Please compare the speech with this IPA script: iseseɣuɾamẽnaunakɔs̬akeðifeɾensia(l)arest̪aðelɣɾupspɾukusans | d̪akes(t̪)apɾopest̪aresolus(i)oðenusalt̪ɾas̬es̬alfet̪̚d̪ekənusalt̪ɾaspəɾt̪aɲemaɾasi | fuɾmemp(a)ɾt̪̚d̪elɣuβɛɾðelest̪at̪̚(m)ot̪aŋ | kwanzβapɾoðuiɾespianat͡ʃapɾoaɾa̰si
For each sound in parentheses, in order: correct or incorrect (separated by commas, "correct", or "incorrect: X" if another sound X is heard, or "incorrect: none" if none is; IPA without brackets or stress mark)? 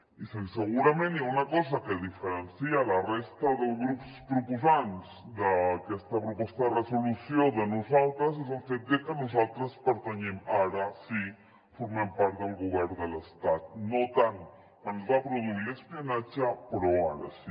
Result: correct, correct, incorrect: j, correct, incorrect: n